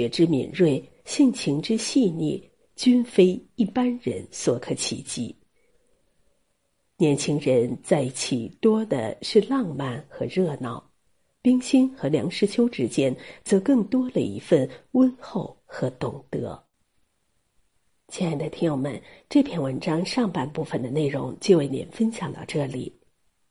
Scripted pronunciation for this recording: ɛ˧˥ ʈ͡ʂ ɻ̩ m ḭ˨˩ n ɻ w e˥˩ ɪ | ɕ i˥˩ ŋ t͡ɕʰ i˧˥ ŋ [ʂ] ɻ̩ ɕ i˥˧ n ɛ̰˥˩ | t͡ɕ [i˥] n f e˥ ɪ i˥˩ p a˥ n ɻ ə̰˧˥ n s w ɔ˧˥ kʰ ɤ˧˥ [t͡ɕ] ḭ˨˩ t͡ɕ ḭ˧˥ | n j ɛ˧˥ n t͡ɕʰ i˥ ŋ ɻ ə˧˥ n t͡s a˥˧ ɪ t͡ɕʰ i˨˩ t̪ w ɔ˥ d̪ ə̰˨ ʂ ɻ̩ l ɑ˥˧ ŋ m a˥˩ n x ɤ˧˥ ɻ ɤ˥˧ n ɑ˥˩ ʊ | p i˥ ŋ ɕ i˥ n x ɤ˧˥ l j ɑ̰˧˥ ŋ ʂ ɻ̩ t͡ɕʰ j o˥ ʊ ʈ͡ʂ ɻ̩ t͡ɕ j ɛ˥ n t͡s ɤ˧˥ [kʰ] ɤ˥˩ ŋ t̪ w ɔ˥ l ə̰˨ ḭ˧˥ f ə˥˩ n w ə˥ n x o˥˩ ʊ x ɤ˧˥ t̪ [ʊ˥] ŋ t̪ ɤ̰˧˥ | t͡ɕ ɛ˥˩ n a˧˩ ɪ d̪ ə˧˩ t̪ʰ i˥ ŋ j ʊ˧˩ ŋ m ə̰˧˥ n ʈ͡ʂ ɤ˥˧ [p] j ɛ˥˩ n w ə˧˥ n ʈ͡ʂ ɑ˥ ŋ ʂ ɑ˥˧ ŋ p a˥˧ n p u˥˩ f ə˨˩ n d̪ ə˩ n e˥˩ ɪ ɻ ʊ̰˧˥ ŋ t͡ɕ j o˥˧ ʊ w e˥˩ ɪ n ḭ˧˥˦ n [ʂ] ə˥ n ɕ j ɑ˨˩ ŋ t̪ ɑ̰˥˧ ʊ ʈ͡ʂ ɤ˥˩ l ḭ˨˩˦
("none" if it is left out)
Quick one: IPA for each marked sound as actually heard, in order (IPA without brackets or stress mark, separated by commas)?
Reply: ʈ͡ʂ, y˥, t͡ɕʰ, k, ʊ˨˩, pʰ, f